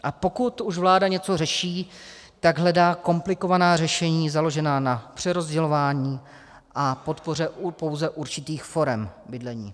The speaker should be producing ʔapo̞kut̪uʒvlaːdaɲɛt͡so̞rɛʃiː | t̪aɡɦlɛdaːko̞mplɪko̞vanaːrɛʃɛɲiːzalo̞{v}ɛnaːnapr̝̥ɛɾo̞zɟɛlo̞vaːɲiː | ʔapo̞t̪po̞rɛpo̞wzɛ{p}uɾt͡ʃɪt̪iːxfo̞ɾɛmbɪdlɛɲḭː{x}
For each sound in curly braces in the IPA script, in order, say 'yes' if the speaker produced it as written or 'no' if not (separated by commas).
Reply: no, no, no